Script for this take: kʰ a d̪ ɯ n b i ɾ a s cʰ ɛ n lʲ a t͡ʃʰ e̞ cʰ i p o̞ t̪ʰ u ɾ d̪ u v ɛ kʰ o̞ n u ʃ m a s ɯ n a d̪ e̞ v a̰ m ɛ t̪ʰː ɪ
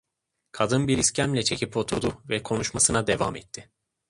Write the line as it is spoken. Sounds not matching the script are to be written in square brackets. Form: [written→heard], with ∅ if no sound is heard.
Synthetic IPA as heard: kʰ a d̪ ɯ n b i ɾ [a→i] s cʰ [ɛ→æ] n lʲ [a→ɛ] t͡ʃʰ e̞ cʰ i p o̞ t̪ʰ u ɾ d̪ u v ɛ kʰ o̞ n u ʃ m a s ɯ n a d̪ e̞ v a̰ m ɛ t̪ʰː ɪ